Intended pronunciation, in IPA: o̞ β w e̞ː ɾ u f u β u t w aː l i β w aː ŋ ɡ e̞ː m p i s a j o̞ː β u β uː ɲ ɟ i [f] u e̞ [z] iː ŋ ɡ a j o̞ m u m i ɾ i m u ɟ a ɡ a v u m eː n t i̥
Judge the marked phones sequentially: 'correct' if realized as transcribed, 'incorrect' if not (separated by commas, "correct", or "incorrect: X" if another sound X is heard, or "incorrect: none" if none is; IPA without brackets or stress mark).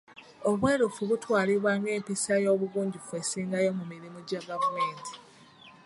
correct, incorrect: s